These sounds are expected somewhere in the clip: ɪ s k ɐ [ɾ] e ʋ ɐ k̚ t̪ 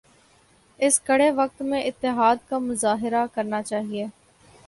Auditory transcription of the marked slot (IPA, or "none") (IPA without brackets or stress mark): ɽ